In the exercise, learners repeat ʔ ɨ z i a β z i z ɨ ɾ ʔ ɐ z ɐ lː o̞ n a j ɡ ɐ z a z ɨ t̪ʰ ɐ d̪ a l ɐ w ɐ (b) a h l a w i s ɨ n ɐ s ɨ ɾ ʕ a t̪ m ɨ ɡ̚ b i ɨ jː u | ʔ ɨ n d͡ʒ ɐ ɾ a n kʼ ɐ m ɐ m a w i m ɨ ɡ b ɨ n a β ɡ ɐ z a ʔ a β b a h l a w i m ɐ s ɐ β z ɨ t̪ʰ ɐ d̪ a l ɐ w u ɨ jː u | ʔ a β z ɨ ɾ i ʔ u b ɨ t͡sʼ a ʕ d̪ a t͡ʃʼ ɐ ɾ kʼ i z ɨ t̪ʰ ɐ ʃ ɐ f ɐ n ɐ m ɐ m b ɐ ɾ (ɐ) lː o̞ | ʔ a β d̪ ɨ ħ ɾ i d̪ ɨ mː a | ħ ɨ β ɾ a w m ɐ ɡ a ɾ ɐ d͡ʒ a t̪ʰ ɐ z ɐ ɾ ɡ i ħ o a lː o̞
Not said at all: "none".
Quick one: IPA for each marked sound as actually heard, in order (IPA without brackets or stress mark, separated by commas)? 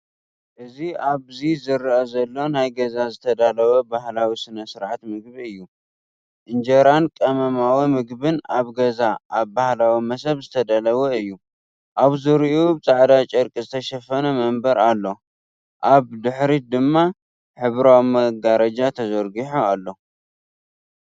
b, a